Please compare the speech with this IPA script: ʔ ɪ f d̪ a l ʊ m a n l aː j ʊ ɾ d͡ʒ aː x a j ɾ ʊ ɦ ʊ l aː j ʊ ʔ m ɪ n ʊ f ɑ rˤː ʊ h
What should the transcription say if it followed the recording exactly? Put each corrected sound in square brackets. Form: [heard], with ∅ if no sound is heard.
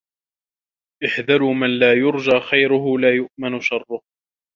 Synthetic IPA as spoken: ʔ ɪ [ħ] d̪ a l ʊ m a n l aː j ʊ ɾ d͡ʒ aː x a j ɾ ʊ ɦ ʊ l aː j ʊ ʔ m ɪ n ʊ [ʃ] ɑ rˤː ʊ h